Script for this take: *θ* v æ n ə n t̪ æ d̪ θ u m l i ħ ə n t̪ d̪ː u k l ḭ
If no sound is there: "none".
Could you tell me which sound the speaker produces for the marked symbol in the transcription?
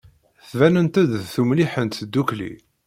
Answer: θ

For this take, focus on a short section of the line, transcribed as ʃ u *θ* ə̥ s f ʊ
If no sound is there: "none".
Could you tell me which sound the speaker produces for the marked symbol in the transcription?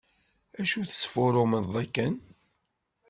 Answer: θ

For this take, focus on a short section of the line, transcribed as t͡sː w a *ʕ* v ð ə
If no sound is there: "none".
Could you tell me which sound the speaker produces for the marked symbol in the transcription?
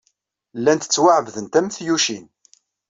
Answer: ʕ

